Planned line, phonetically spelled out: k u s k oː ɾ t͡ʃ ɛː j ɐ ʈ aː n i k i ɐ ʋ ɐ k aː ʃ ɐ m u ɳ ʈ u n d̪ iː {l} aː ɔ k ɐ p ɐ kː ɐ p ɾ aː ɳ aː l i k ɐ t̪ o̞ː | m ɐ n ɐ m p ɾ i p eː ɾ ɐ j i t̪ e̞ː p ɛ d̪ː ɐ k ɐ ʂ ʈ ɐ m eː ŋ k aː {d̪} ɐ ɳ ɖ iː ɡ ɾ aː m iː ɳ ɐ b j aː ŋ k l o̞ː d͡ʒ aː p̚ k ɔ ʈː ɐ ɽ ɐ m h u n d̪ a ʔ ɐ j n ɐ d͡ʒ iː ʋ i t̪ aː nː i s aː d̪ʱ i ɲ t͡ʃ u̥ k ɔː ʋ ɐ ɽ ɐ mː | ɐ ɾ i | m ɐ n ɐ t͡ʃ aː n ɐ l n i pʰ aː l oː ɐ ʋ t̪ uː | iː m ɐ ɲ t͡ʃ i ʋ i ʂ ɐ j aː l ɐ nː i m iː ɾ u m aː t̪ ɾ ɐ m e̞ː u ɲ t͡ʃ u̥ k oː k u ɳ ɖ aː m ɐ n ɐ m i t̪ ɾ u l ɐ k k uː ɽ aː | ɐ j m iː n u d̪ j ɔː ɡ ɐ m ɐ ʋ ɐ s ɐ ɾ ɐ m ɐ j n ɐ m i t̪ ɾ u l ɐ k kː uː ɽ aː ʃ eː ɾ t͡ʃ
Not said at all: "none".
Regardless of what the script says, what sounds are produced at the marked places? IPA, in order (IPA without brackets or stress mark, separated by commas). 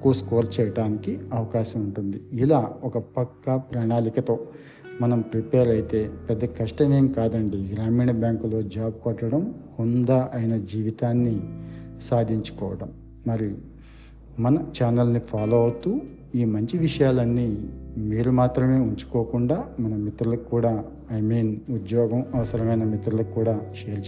l, d̪